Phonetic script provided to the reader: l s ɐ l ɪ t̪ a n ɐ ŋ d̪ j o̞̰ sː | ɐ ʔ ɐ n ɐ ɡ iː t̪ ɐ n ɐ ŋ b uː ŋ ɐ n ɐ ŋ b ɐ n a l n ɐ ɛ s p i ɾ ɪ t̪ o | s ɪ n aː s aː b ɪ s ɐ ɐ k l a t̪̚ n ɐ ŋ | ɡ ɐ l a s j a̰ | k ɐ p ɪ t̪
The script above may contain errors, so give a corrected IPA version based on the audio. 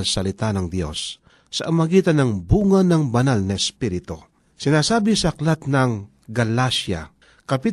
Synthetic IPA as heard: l s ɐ l ɪ t̪ a n ɐ ŋ d̪ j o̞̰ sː | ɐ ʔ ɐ m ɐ ɡ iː t̪ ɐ n ɐ ŋ b uː ŋ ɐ n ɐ ŋ b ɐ n a l n ɐ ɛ s p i ɾ ɪ t̪ o | s ɪ n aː s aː b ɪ s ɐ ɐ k l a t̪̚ n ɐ ŋ | ɡ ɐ l a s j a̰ | k ɐ p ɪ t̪